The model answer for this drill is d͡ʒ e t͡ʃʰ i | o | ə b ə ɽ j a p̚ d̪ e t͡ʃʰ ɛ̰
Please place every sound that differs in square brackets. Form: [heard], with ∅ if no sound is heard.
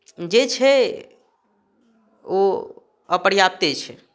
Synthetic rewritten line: d͡ʒ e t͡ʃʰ [ɛ] | o | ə [p] ə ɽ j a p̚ [t̪] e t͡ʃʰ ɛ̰